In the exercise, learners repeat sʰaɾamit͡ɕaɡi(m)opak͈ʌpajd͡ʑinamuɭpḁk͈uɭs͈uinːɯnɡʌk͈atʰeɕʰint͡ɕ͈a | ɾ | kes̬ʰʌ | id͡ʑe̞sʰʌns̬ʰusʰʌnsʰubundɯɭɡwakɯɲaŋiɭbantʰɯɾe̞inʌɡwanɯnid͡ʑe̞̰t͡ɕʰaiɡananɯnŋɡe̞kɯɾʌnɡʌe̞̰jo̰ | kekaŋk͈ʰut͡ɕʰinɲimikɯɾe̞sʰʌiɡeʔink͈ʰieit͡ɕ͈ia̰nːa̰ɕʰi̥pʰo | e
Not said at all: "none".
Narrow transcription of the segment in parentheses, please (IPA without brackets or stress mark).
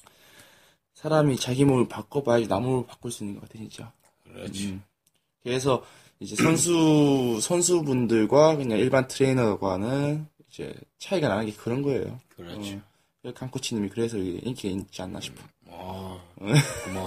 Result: m